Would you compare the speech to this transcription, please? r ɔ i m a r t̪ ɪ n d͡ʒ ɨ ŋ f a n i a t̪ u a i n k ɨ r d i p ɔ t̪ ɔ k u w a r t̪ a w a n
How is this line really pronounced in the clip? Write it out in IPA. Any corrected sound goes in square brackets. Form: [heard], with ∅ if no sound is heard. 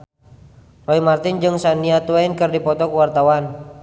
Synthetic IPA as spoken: r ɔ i m a r t̪ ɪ n d͡ʒ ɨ ŋ [s] a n i a t̪ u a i n k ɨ r d i p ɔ t̪ ɔ k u w a r t̪ a w a n